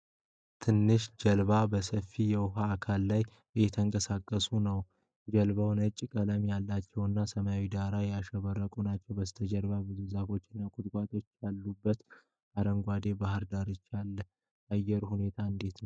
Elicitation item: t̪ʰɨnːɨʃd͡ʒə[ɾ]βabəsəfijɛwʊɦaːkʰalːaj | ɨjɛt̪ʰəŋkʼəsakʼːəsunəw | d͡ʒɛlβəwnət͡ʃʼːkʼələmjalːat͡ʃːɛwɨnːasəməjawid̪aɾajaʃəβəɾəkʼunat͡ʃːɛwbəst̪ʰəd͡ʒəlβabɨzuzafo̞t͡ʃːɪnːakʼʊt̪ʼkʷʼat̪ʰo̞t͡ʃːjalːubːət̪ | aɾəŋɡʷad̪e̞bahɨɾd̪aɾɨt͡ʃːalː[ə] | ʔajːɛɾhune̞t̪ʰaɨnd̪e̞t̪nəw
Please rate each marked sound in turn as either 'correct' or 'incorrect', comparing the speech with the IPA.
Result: incorrect: l, correct

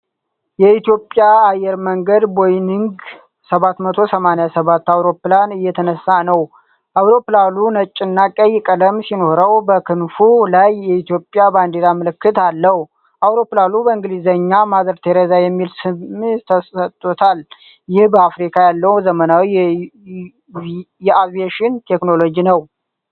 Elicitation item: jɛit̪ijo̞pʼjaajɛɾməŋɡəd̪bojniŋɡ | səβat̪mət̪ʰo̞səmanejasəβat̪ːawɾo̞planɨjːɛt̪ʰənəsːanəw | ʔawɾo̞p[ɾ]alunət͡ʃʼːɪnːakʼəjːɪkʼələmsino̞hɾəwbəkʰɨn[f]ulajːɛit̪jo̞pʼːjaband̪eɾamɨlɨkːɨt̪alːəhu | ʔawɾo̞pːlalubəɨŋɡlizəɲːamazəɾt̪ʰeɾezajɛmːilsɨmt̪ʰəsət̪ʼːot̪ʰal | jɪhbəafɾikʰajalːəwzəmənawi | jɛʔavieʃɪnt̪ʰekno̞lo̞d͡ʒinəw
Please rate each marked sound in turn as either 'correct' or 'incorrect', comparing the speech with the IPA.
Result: incorrect: l, correct

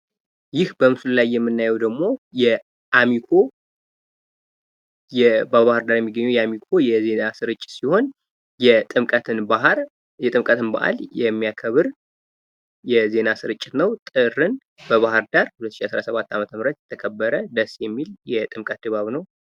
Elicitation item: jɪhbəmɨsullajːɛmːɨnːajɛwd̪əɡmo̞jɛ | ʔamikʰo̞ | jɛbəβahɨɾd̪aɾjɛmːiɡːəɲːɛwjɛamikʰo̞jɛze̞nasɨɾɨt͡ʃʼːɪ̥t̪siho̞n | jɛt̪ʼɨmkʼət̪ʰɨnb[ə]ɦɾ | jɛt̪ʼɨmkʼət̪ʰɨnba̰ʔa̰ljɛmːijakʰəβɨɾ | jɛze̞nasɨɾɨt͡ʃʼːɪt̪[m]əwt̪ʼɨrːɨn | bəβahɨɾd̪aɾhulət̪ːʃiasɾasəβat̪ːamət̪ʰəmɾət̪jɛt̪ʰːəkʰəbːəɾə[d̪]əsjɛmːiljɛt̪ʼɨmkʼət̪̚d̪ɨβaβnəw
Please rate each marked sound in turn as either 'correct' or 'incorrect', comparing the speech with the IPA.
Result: incorrect: a, incorrect: n, correct

